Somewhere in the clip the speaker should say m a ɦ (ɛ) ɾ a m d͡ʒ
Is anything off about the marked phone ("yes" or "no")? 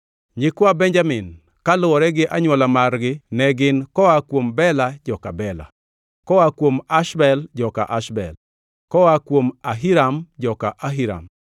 yes